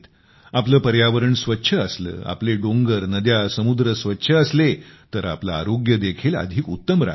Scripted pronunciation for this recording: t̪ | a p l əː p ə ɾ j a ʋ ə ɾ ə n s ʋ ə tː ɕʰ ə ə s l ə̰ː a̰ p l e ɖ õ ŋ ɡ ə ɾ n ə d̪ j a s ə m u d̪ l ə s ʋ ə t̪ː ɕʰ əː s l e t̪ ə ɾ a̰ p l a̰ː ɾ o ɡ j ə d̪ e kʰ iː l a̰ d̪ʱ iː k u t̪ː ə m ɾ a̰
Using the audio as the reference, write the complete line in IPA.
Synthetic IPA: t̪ | a p l əː p ə ɾ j a ʋ ə ɾ ə ɳ s ʋ ə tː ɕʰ ə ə s l ə̰ː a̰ p l e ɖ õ ŋ ɡ ə ɾ n ə d̪ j a s ə m u d̪ ɾ ə s ʋ ə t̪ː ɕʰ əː s l e t̪ ə ɾ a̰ p l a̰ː ɾ o ɡ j ə d̪ e kʰ iː l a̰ d̪ʱ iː k u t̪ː ə m ɾ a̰